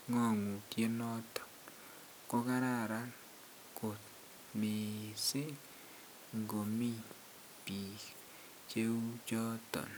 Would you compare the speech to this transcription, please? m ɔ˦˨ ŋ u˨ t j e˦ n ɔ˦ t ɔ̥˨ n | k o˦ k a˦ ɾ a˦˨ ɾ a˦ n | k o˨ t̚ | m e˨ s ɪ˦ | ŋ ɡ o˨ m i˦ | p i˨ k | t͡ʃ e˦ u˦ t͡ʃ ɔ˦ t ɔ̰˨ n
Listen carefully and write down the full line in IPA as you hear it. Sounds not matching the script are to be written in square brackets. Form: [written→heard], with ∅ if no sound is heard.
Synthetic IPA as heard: [m→ŋ] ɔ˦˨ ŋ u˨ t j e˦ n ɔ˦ t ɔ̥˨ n | k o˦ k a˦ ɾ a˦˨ ɾ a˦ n | k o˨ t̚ | m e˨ s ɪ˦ | ŋ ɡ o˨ m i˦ | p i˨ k | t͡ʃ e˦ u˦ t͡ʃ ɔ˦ t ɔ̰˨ n